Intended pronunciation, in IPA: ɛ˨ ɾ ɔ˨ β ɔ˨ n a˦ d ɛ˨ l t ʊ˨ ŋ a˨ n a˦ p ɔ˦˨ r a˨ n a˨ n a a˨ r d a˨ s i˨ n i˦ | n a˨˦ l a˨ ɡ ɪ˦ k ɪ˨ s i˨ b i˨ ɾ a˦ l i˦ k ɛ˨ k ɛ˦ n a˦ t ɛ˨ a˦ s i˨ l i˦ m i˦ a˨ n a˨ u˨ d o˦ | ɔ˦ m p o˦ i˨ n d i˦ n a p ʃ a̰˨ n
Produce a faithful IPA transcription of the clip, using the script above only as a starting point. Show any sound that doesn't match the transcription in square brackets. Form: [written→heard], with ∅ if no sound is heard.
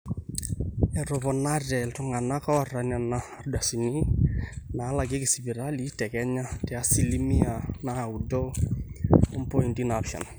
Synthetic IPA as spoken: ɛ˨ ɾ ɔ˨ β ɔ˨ n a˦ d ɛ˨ l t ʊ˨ ŋ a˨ n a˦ [p→k] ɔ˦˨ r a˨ n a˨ n a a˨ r d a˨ s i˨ n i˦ | n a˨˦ l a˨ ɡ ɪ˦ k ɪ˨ s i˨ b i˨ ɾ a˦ l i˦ [k→t] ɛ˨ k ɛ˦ [n→ɲ] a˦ t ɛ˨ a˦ s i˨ l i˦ m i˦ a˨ n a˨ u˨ d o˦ | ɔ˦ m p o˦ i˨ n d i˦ n a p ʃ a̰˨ n